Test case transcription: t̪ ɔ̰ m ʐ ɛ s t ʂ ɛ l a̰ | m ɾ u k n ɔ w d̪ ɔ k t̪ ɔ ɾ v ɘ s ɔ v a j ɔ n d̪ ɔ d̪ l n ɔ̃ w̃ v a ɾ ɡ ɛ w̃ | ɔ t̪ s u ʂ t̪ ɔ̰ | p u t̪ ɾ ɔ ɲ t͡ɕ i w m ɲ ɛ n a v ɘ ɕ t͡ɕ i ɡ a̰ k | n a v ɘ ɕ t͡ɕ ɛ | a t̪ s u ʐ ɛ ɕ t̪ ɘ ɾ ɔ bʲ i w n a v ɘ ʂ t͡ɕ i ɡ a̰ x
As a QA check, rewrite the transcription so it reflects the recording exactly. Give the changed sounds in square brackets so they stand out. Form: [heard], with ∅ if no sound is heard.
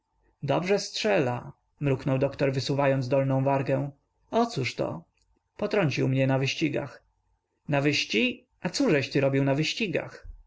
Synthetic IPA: [d̪] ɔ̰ [b] ʐ ɛ s t ʂ ɛ l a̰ | m ɾ u k n ɔ w d̪ ɔ k t̪ ɔ ɾ v ɘ s [u] v a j ɔ n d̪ ɔ [∅] l n ɔ̃ w̃ v a ɾ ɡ ɛ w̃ | ɔ t̪ s u ʂ t̪ ɔ̰ | p [ɔ] t̪ ɾ ɔ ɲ t͡ɕ i w m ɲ ɛ n a v ɘ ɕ t͡ɕ i ɡ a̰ [x] | n a v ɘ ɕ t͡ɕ [i] | a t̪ s u ʐ ɛ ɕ t̪ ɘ ɾ ɔ bʲ i w n a v ɘ [ɕ] t͡ɕ i ɡ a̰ x